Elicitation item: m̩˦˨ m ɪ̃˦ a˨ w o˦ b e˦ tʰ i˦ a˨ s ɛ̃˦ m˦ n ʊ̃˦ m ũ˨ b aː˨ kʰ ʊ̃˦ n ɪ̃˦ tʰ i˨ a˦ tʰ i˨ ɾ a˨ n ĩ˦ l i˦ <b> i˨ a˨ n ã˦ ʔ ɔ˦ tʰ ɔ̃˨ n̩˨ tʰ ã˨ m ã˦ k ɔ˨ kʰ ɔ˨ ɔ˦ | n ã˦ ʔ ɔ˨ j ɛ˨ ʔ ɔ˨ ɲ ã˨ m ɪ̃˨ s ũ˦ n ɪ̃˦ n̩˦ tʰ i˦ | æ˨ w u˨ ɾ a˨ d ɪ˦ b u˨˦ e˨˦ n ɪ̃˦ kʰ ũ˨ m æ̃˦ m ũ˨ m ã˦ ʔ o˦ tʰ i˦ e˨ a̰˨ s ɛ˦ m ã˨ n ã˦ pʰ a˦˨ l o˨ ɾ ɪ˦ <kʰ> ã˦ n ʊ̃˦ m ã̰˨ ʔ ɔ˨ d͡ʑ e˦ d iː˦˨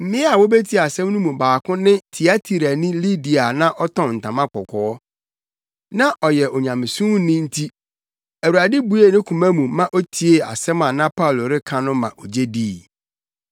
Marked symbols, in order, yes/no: no, yes

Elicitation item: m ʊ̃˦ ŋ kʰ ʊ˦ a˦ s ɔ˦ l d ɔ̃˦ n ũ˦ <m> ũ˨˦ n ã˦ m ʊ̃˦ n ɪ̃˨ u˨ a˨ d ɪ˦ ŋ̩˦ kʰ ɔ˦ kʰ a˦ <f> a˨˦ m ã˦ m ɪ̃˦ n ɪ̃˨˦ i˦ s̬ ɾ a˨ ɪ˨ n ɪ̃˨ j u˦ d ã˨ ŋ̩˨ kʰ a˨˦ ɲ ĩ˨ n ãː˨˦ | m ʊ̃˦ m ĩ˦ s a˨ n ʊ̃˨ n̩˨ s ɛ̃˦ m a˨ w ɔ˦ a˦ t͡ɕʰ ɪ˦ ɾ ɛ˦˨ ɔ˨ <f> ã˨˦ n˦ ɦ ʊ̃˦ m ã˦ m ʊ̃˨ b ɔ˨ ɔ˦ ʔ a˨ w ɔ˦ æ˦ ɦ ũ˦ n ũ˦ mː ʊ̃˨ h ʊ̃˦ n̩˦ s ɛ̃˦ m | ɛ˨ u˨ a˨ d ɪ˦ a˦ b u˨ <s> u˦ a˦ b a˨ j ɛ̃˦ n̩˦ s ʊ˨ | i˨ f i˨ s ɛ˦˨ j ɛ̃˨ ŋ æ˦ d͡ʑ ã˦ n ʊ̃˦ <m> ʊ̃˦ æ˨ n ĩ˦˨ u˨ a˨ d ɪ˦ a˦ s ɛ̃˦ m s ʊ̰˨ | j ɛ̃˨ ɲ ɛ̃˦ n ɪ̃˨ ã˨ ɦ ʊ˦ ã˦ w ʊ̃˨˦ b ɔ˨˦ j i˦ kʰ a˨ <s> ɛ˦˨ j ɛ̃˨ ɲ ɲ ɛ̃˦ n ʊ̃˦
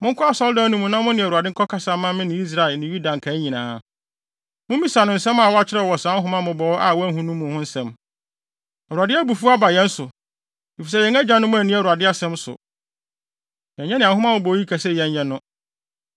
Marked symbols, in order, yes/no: yes, no, no, no, yes, yes

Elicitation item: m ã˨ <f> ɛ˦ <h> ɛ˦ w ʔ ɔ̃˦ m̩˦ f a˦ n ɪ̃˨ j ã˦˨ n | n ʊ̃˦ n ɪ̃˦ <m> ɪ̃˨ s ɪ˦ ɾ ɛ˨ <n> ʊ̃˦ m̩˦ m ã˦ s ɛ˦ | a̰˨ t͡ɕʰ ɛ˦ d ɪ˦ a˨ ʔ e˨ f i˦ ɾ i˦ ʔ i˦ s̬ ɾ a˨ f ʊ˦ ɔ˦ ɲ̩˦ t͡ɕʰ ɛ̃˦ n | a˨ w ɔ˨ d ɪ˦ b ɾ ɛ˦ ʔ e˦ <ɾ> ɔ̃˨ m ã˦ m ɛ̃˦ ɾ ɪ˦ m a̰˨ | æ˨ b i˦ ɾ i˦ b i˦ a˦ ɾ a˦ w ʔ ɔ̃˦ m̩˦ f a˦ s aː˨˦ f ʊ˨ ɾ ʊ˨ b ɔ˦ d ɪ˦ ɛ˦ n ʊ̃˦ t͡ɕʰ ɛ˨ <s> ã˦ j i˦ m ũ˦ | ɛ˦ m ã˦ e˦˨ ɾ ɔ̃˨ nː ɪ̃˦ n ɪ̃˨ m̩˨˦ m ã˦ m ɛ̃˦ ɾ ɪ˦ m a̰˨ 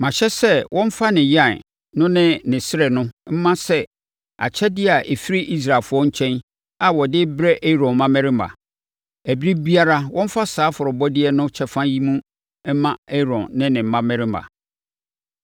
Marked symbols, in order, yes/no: no, no, no, yes, yes, no

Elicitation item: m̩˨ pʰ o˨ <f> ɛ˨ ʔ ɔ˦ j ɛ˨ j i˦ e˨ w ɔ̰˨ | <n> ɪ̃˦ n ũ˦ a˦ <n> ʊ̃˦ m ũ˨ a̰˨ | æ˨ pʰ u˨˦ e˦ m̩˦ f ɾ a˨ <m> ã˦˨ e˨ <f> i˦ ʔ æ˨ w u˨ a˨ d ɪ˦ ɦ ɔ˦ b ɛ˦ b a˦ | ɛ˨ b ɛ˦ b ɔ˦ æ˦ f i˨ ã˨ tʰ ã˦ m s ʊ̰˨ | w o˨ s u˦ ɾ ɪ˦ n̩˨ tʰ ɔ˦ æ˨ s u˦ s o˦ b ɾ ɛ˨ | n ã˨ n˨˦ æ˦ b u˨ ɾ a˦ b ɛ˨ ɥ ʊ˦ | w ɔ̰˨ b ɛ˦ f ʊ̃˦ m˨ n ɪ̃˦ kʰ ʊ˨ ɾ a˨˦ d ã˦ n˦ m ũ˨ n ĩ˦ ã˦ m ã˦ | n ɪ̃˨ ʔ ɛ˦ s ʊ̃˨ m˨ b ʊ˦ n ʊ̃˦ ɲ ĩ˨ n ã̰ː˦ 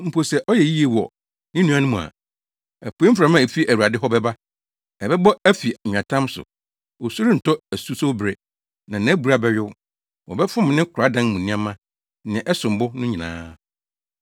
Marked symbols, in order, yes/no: no, yes, yes, yes, yes

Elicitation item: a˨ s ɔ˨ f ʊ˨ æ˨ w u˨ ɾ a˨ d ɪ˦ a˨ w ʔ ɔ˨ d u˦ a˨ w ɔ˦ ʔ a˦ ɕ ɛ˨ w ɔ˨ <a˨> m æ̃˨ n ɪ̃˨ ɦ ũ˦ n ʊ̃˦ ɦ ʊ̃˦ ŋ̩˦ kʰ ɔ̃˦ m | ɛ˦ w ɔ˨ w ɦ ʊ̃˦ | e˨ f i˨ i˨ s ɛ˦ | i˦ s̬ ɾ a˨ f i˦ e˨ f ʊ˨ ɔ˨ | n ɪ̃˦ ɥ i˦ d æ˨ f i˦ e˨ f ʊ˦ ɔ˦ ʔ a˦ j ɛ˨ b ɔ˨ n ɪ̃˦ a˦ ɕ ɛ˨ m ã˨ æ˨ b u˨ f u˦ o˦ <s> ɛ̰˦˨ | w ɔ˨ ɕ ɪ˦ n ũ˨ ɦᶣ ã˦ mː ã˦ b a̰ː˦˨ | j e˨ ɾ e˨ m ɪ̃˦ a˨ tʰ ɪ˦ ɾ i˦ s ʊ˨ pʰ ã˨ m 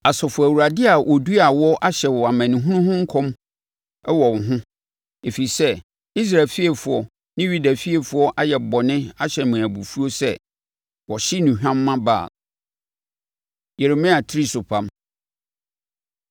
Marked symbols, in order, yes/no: yes, yes

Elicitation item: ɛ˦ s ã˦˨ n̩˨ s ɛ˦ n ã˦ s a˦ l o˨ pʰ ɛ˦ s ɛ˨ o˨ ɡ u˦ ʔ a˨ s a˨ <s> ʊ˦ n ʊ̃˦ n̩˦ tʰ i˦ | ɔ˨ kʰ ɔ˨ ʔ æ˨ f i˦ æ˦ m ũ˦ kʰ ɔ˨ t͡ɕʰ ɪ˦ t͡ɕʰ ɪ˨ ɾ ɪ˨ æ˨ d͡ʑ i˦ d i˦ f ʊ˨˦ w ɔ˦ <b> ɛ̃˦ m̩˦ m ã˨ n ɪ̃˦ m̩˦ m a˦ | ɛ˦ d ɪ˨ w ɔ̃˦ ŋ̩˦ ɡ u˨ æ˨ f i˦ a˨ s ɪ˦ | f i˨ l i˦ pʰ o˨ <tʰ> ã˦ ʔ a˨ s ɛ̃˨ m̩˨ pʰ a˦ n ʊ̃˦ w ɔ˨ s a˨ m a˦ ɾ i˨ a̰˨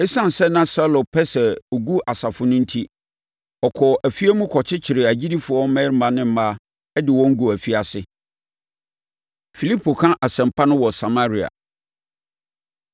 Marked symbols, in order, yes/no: no, no, no

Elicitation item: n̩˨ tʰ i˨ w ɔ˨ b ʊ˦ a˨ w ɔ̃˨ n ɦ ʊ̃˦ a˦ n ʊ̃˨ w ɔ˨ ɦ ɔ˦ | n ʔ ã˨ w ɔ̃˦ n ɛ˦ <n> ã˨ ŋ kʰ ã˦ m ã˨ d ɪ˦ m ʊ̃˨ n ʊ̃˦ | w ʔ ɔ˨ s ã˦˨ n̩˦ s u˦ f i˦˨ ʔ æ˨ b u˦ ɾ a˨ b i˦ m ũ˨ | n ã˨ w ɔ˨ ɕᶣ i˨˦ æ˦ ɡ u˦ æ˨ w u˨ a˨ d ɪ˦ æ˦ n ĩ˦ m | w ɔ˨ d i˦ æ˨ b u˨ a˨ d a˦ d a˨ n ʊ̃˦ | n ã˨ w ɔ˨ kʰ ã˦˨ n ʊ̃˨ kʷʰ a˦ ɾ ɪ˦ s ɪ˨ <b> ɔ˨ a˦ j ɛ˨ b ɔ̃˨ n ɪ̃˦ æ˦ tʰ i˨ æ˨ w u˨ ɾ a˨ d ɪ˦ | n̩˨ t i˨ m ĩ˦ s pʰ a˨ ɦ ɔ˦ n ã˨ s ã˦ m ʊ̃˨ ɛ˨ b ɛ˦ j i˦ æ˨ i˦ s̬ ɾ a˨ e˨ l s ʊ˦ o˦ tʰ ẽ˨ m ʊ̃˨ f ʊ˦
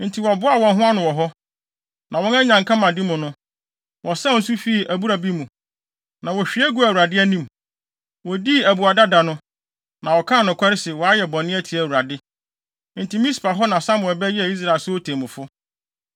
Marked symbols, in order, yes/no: no, no

